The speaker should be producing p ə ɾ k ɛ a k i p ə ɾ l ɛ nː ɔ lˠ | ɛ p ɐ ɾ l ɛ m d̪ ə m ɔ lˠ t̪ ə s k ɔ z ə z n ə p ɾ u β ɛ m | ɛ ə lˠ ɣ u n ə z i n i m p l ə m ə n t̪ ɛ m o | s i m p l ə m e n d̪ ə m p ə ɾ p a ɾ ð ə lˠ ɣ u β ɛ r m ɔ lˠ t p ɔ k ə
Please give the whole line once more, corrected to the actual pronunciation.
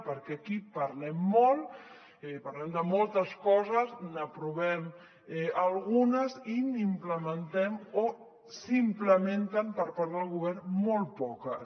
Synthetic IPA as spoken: p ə ɾ k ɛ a k i p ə ɾ l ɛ mː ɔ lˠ | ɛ p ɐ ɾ l ɛ m d̪ ə m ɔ lˠ t̪ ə s k ɔ z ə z n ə p ɾ u β ɛ m | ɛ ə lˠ ɣ u n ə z i n i m p l ə m ə n t̪ ɛ m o | s i m p l ə m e n t̪ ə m p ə ɾ p a ɾ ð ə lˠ ɣ u β ɛ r m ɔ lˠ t p ɔ k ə

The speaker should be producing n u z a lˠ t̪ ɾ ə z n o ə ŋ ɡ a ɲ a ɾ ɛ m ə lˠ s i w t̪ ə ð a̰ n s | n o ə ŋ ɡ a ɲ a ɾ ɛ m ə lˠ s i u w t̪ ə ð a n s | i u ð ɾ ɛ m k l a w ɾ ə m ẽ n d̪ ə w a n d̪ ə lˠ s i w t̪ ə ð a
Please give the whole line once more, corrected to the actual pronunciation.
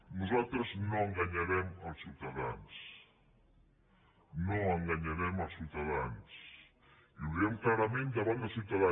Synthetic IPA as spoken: n u z a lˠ t̪ ɾ ə z n o ə ŋ ɡ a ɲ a ɾ ɛ m ə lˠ s i w t̪ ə ð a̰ n s | n o ə ŋ ɡ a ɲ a ɾ ɛ m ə lˠ s i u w t̪ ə ð a n s | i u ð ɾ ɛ m k l a ɾ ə m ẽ n d̪ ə β a n d̪ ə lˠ s i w t̪ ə ð a

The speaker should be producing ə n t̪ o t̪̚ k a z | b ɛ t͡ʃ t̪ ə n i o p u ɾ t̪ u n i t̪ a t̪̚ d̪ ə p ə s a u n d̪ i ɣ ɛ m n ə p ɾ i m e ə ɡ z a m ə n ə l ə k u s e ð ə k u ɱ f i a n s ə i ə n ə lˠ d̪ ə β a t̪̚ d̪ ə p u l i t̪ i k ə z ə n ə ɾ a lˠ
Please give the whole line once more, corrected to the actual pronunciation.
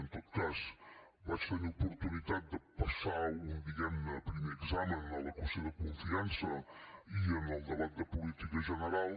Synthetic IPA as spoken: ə n t̪ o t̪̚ k a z | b a t͡ʃ t̪ ə n i u p u ɾ t̪ u n i t̪ a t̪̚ d̪ ə p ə s a u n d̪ i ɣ ɛ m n ə p ɾ i m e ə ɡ z a m ə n ə l ə k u s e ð ə k u ɱ f i a n s ə i ə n ə lˠ d̪ ə β a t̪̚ d̪ ə p u l i t̪ i k ə ʒ ə n ə ɾ a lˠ

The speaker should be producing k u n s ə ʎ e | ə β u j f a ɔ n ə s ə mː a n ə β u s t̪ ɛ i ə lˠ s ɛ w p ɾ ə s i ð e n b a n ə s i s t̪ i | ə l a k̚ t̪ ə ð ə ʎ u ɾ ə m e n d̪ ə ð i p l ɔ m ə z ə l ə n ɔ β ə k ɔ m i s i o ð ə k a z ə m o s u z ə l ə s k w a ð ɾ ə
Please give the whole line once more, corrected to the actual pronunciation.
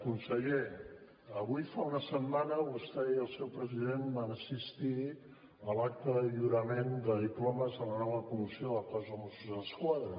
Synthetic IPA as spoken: k u n s ə ʎ e | ə β u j f a u n ə s ə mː a n ə β u s t̪ ɛ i ə lˠ s ɛ w p ɾ ə z i ð e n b a n ə s i s t̪ i | ə l a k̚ t̪ ə ð ə ʎ u ɾ ə m e n d̪ ə ð i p l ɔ m ə z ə l ə n ɔ β ə k u m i s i o ð ə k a z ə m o s u z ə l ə s k w a ð ɾ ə

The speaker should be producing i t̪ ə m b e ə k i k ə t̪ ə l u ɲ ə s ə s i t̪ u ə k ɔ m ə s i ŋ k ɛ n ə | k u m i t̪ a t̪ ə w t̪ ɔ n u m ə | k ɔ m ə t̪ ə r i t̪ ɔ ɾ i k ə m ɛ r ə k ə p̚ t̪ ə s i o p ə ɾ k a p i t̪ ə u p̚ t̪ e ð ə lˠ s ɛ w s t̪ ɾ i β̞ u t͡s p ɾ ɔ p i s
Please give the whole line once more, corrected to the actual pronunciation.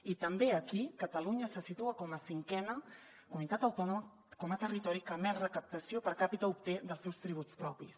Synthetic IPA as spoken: i t̪ ə m b e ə k i k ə t̪ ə l u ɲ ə s ə s i t̪ u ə k ɔ m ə s i ŋ k ɛ n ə | k u m i t̪ a t̪ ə w t̪ ɔ n u m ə | k ɔ m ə t̪ ə r i t̪ ɔ ɾ i k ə m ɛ r ə k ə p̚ t̪ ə s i o p ə ɾ k a p i t̪ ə u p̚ t̪ e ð ə lˠ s ɛ w s t̪ ɾ i β̞ u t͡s p ɾ ɔ p i s

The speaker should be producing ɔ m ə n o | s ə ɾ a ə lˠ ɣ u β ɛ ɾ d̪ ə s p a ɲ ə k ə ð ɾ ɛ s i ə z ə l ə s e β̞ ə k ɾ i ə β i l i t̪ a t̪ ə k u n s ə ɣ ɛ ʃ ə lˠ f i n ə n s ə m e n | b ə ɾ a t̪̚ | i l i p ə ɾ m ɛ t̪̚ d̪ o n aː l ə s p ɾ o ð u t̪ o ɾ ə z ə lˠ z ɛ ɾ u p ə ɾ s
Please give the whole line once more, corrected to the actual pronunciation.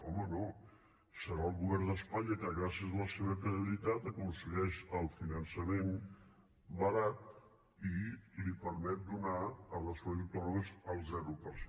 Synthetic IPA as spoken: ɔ m ə n o | s ə ɾ a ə lˠ ɣ u β ɛ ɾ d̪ ə s p a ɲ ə k ə ɣ ɾ a s i ə z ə l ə s e β̞ ə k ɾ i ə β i l i t̪ a t̪ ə k u n s ə ɣ ɛ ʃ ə lˠ f i n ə n s ə m e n | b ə ɾ a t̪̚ | i l i p ə ɾ m ɛ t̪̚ d̪ u n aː l ə s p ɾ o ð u t̪ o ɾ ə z ə lˠ z ɛ ɾ u p ə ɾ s

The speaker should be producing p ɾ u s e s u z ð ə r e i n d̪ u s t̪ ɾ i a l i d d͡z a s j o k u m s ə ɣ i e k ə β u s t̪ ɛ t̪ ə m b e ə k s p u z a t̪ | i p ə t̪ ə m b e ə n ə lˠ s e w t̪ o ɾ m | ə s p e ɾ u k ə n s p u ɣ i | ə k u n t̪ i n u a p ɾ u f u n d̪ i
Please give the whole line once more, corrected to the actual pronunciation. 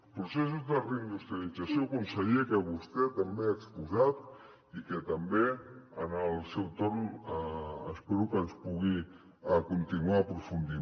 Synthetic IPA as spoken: p ɾ u s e s u z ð ə r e i n d̪ u s t̪ ɾ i a l i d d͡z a s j o k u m s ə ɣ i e k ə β u s t̪ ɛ t̪ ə m b e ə k s p u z a t̪ | i k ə t̪ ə m b e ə n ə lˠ s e w t̪ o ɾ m | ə s p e ɾ u k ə n s p u ɣ i | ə k u n t̪ i n u a p ɾ u f u n d̪ i

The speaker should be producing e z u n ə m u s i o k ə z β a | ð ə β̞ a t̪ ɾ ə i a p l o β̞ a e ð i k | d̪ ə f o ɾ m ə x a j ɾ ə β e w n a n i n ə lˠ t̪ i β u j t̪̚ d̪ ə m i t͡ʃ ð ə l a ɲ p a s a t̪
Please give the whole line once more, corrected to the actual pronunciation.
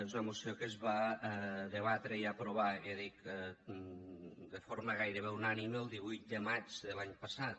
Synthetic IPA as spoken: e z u n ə m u s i o k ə z β a | ð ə β̞ a t̪ ɾ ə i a p ɾ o β̞ a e ð i k | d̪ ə f o ɾ m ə ɣ a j ɾ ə β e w n a n i m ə lˠ d̪ i β u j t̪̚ d̪ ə m a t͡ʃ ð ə l a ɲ p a s a t̪

